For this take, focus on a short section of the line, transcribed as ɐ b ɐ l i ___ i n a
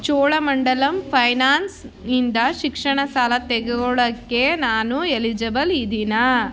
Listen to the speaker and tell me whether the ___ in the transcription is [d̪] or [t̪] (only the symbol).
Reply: d̪